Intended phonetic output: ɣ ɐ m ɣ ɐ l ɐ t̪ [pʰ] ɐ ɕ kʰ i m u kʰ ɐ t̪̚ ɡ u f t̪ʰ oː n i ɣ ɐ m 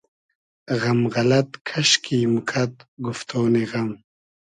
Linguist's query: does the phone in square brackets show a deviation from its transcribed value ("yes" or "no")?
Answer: yes